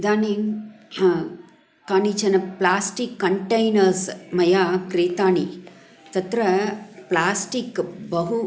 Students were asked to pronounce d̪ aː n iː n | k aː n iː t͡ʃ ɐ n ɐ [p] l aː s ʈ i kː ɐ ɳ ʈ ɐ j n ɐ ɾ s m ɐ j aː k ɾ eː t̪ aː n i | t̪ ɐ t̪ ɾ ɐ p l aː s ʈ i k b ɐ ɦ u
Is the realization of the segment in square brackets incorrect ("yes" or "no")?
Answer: no